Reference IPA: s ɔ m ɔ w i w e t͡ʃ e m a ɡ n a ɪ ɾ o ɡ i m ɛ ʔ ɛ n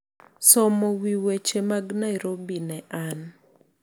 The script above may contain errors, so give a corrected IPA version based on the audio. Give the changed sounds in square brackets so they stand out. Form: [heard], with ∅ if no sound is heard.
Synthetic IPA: s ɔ m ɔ w i w e t͡ʃ e m a ɡ n a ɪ ɾ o [b] i [n] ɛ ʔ [a] n